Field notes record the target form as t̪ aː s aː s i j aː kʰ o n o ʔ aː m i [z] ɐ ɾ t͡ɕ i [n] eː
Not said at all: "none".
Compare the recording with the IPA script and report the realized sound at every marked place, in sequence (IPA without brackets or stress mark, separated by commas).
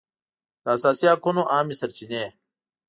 s, n